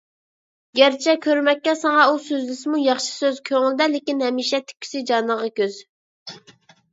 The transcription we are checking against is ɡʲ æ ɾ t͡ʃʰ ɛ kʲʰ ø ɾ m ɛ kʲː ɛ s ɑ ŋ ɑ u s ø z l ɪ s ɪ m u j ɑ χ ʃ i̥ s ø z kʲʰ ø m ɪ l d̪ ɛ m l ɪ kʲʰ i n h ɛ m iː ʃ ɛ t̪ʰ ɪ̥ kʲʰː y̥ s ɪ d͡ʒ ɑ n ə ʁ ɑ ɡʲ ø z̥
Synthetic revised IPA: ɡʲ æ ɾ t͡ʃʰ ɛ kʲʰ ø ɾ m ɛ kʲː ɛ s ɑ ŋ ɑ u s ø z l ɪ s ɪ m u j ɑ χ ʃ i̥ s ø z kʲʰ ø ŋ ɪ l d̪ ɛ l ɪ kʲ i n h ɛ m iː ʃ ɛ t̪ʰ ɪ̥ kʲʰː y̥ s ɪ d͡ʒ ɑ n ə ʁ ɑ kʲ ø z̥